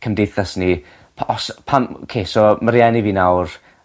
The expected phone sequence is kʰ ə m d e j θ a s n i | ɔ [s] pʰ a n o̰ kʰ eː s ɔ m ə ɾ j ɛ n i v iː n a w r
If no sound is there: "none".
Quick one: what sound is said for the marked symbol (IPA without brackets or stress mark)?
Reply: s